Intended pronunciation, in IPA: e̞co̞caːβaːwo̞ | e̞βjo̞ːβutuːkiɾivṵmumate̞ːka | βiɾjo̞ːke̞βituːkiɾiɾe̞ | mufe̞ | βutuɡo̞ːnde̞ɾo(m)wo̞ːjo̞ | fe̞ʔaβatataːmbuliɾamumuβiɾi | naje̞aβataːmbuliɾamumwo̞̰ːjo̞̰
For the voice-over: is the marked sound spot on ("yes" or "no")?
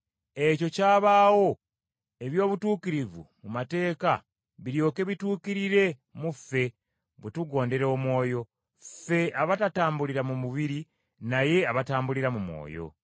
yes